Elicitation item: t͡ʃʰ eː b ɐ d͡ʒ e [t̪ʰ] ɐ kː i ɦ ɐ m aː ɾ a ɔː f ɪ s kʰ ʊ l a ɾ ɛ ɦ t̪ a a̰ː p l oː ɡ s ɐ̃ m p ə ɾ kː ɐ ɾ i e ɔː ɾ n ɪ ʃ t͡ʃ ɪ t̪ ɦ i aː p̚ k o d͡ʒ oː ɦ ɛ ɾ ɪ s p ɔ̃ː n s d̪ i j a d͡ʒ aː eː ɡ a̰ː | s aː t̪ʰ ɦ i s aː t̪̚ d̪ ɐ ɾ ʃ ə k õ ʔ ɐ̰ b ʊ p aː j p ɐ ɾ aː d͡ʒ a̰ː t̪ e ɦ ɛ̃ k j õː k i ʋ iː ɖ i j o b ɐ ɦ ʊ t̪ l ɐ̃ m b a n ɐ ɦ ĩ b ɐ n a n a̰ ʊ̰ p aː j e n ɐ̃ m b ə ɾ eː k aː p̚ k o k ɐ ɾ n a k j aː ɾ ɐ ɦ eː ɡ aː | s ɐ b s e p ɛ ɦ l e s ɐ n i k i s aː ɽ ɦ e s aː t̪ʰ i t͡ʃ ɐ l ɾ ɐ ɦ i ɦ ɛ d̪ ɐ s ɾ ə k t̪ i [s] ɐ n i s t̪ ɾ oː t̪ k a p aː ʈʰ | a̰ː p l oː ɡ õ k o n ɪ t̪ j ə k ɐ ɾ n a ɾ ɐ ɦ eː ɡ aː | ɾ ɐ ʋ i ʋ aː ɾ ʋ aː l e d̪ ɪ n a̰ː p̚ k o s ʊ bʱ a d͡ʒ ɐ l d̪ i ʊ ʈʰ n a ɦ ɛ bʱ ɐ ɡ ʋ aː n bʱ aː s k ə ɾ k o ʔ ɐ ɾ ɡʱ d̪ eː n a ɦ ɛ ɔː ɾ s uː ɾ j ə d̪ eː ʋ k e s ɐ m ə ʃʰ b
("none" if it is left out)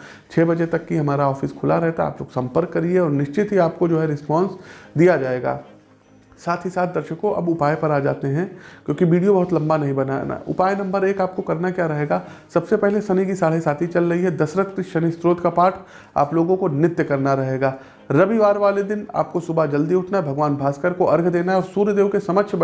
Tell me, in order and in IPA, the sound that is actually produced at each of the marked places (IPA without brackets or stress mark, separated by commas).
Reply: t̪, ʃ